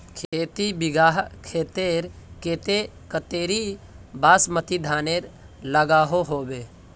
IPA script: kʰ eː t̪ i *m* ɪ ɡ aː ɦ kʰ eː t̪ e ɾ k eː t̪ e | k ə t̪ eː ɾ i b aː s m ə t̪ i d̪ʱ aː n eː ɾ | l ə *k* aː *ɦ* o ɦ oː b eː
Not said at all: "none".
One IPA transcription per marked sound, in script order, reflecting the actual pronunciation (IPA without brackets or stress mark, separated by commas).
b, ɡ, ɦ